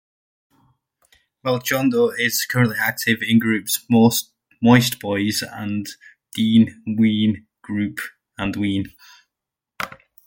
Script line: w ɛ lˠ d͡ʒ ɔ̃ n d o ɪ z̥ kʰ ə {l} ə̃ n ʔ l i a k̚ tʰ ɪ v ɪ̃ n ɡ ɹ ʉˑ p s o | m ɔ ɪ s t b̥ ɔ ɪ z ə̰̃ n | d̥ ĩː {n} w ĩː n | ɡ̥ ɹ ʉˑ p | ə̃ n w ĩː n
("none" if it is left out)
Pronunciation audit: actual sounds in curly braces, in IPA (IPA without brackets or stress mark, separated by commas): ɹ, n